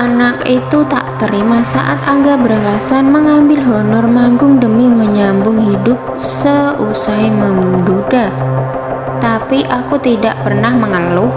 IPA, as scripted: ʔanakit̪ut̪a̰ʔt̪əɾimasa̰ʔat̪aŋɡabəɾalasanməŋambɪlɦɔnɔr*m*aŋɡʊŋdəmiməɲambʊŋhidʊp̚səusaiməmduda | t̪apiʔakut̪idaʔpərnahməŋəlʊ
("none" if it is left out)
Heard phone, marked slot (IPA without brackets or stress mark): m